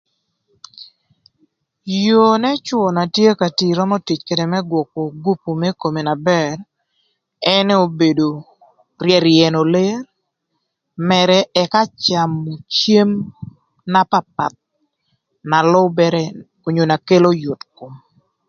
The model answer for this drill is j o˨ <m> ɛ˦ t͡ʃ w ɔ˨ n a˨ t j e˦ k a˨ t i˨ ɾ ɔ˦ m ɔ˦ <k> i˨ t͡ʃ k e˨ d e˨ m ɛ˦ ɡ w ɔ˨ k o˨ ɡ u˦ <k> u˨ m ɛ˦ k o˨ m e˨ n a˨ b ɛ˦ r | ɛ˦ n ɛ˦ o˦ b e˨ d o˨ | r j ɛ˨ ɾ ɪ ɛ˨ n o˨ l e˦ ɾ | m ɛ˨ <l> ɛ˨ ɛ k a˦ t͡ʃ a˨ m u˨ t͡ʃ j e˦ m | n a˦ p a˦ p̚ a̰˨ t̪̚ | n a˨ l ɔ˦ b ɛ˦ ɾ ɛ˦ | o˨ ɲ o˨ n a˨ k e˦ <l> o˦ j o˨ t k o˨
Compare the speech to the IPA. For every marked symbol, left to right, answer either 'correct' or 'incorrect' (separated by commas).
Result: incorrect, incorrect, incorrect, incorrect, correct